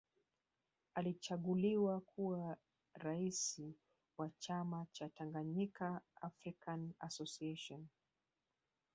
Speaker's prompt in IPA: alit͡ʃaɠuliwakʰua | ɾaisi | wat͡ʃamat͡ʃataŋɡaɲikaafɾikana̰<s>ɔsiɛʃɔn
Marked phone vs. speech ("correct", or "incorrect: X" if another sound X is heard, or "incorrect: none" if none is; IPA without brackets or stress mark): correct